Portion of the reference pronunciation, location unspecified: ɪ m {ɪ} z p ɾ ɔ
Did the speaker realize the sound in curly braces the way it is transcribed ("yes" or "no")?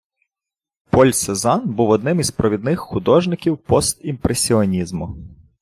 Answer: no